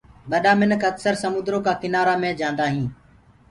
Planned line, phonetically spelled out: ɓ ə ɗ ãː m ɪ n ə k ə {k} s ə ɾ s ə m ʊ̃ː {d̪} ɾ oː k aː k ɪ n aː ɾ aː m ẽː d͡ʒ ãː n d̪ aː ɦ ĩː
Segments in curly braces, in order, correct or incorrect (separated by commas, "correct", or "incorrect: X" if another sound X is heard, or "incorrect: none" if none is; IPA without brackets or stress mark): correct, correct